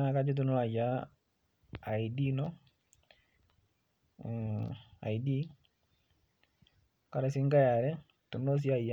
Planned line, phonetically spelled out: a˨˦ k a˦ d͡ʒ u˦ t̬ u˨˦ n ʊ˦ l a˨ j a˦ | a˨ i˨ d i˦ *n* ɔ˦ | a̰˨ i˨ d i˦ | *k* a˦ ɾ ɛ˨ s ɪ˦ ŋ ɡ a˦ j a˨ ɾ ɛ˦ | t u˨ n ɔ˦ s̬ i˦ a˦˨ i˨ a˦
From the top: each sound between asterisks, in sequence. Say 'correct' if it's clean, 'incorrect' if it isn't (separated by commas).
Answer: correct, correct